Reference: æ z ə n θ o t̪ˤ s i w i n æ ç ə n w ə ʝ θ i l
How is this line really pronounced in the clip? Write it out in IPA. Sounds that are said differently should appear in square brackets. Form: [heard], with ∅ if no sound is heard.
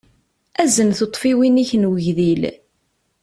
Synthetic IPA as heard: æ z ə n θ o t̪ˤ [f] i w i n [i] ç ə n w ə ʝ [ð] i l